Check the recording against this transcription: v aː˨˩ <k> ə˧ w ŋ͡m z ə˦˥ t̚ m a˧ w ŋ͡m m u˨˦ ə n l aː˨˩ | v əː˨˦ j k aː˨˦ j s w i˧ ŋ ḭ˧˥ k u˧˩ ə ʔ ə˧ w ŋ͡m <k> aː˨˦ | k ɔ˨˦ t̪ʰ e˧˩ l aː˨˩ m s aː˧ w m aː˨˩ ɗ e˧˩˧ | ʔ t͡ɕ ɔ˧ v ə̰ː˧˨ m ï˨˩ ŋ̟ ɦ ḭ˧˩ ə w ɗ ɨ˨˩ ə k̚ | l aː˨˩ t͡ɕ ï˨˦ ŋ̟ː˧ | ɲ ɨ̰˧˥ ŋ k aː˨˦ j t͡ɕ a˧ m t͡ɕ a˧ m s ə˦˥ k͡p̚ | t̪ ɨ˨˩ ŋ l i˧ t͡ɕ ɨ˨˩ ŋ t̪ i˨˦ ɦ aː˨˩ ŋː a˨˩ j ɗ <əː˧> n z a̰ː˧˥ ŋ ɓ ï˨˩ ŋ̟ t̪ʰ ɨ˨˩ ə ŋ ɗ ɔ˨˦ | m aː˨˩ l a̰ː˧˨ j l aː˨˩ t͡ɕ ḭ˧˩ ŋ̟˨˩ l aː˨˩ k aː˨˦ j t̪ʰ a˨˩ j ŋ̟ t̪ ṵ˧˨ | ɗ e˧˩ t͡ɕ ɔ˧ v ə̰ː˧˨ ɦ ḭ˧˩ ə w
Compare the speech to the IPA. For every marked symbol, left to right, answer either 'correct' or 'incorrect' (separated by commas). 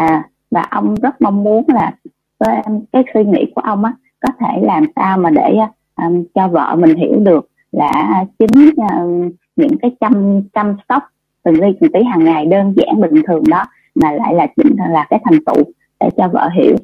incorrect, incorrect, correct